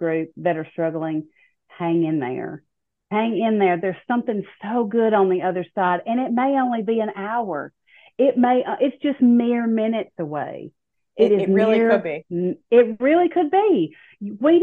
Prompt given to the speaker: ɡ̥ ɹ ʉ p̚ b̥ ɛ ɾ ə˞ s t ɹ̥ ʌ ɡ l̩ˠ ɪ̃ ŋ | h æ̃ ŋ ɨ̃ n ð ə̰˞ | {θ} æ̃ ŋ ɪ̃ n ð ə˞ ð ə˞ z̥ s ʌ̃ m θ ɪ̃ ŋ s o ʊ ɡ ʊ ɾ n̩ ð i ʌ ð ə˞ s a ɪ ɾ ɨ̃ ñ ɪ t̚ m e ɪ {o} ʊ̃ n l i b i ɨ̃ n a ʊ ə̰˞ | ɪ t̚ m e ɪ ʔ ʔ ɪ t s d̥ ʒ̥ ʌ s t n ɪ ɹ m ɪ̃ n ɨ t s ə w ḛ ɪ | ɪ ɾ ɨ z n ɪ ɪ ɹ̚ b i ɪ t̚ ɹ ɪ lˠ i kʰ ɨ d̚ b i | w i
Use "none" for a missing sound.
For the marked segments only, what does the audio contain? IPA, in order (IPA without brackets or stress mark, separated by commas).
h, õ